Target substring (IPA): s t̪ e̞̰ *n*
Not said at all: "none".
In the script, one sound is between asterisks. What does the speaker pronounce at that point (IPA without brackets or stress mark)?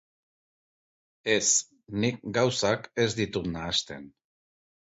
n